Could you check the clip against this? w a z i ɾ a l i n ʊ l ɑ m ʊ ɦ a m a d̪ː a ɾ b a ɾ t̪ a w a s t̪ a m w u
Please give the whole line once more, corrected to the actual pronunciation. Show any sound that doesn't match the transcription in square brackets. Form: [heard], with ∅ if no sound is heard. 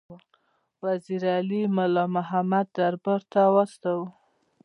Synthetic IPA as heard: w a z i ɾ a l i [m] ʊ l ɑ m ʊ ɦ a m a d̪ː a ɾ b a ɾ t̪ a w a s t̪ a [∅] w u